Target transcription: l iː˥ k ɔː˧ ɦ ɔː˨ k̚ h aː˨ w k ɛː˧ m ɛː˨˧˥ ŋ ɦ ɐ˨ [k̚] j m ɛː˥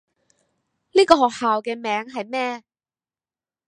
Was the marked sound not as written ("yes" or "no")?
yes